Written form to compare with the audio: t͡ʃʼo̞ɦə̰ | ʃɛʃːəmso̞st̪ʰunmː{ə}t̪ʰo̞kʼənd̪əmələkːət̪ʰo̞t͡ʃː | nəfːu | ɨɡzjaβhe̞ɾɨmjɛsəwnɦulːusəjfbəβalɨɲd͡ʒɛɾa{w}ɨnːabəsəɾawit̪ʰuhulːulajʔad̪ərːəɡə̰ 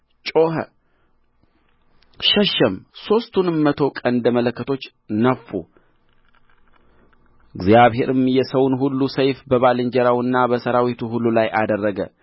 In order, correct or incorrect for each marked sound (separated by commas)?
correct, correct